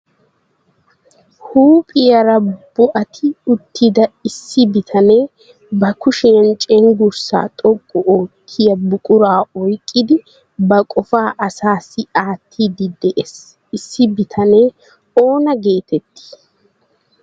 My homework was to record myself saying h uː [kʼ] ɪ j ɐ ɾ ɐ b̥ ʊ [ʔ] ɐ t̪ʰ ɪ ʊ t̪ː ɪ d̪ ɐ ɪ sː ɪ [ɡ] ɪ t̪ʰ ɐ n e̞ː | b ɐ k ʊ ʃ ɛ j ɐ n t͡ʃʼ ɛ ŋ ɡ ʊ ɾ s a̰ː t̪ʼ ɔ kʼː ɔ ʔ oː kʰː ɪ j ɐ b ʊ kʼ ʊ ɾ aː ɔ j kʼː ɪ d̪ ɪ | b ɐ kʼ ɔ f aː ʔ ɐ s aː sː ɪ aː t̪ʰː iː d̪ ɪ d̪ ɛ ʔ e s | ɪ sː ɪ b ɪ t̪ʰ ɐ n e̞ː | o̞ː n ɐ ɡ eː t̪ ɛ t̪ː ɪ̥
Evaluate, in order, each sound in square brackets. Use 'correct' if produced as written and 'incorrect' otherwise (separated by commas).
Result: incorrect, correct, incorrect